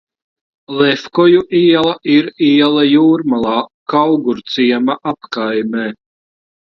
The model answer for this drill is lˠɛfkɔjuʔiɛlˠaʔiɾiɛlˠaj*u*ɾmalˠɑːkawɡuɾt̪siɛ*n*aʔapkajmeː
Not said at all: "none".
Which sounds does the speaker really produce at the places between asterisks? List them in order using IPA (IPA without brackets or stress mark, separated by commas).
uː, m